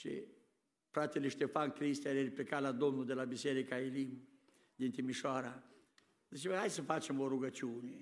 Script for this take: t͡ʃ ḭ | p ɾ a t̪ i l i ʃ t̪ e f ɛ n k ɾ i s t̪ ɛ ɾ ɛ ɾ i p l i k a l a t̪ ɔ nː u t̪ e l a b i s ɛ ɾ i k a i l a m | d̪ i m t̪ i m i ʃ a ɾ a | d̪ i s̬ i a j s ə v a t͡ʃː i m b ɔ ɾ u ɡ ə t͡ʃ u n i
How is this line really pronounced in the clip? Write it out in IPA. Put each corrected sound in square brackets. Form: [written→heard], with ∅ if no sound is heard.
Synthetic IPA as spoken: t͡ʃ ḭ | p ɾ a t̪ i l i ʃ t̪ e f [ɛ→a] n k ɾ i s t̪ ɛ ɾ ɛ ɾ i p l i k a l a [t̪→d̪] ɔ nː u [t̪→d̪] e l a b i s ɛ ɾ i k a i l [a→i] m | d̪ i [m→n] t̪ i m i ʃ a ɾ a | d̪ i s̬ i a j s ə [v→f] a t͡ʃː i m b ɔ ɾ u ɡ [ə→a] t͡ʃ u n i